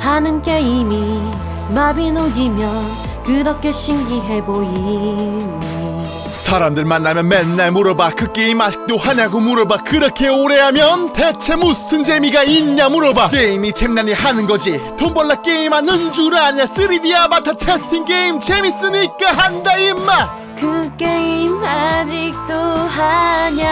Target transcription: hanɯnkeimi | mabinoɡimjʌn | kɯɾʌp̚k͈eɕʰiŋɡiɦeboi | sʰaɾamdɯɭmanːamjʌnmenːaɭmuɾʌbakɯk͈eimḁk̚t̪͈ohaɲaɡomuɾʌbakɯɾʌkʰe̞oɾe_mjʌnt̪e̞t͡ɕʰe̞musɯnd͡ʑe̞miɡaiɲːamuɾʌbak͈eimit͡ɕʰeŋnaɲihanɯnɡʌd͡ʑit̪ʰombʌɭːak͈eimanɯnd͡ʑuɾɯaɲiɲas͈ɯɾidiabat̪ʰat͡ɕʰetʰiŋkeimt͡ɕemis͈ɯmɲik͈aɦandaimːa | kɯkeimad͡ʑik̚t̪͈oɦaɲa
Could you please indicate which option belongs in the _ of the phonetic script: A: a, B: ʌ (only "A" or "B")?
A